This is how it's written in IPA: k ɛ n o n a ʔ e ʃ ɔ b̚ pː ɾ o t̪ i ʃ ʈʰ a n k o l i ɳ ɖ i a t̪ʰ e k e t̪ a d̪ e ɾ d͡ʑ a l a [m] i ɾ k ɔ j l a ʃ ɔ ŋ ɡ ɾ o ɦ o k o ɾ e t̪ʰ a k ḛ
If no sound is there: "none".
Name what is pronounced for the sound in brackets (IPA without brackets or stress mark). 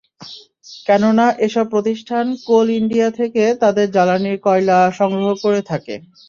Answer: n